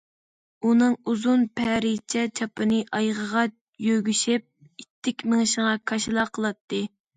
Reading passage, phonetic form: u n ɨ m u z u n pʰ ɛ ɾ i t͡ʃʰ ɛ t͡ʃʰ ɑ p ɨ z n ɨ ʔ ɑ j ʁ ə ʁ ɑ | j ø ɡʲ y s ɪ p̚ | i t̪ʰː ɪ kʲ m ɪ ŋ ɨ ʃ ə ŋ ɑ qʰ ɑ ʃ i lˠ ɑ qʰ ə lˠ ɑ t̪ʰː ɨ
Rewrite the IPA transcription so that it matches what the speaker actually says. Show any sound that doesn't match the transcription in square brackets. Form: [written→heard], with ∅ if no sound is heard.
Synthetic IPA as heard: u n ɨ [m→ŋ] u z u n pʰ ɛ ɾ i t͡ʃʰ ɛ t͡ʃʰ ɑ p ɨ [z→∅] n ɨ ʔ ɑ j ʁ ə ʁ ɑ | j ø ɡʲ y [s→ʃ] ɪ p̚ | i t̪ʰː ɪ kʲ m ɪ ŋ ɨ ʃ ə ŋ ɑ [qʰ→kʰ] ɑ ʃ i lˠ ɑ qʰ ə lˠ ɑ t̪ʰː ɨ